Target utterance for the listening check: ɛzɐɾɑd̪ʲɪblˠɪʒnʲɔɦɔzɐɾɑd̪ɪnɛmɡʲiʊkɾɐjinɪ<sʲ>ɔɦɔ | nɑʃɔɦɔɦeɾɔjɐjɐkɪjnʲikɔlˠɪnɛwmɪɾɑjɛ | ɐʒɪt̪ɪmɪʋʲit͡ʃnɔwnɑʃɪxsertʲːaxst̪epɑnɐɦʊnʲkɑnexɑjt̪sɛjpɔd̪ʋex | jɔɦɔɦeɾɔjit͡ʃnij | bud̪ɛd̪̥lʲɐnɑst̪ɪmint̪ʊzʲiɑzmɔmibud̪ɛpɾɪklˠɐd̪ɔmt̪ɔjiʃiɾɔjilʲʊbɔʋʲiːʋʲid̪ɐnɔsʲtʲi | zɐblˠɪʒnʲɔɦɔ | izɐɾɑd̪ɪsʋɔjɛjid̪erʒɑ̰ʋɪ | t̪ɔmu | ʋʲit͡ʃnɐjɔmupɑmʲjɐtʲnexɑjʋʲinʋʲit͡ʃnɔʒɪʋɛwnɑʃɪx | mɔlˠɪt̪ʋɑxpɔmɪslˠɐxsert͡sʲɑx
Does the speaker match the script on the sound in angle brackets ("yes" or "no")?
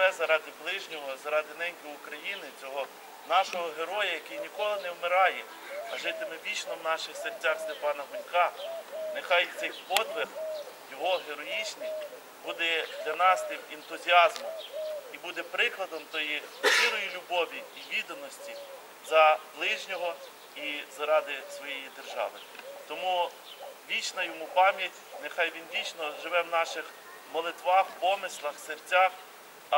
no